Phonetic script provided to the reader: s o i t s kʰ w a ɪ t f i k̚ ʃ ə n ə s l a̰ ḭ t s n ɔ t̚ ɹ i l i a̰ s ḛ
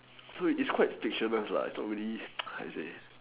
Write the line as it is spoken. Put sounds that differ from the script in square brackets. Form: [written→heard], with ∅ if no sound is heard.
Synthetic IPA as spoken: s o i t s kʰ w a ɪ t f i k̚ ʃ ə n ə s l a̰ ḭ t s n ɔ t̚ ɹ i l i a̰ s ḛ

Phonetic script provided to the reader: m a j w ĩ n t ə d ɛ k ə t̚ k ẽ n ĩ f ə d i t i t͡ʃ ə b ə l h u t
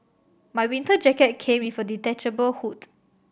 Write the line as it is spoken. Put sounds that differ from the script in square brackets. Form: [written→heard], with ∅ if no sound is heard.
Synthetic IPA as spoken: m a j w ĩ n t ə [d→d͡ʒ] ɛ k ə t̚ [k→kʰ] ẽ [n→m] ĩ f ə d i t [i→ɛ] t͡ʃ ə b ə l h u t

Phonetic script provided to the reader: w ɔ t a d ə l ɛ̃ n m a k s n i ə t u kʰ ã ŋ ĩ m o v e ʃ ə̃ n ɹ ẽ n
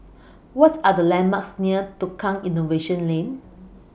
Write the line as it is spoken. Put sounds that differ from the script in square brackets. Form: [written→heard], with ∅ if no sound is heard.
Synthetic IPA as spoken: w ɔ t a d ə l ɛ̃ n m a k s n i ə t u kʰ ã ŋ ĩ [m→n] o v e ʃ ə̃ n [ɹ→l] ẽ n

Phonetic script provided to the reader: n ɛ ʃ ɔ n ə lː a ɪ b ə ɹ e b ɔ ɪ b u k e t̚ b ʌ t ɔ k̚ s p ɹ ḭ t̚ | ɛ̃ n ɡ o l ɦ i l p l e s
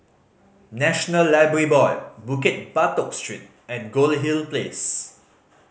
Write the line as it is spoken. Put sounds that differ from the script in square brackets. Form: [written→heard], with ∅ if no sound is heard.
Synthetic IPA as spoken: n ɛ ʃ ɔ n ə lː a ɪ b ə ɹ [e→i] b ɔ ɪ b u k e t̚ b [ʌ→a] t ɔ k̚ s [p→t] ɹ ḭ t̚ | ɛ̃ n ɡ o l ɦ i l p l e s

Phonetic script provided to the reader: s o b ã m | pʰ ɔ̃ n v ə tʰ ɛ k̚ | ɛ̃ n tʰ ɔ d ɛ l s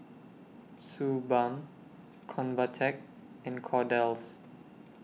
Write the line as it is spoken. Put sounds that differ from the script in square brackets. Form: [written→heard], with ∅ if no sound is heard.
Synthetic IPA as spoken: s [o→u] b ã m | [pʰ→kʰ] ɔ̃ n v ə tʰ ɛ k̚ | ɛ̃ n [tʰ→kʰ] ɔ d ɛ l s

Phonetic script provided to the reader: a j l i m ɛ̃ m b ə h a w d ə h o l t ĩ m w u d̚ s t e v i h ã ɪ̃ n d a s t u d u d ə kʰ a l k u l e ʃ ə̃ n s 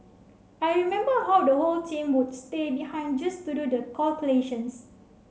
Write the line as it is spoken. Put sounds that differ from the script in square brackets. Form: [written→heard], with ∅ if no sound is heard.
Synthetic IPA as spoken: a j [l→ɹ] i m ɛ̃ m b ə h a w d ə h o l t ĩ m w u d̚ s t e [v→b] i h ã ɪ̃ n [d→d͡ʒ] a s t u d u d ə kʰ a l k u l e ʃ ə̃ n s

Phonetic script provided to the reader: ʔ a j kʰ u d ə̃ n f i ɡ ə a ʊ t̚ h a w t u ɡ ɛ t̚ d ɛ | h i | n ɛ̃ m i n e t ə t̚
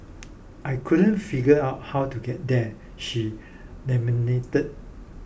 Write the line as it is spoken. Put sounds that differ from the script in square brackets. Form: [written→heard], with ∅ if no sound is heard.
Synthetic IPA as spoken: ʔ a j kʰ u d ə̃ n f i ɡ ə a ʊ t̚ h a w t u ɡ ɛ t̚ d ɛ | [h→ʃ] i | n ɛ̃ m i n e t ə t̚

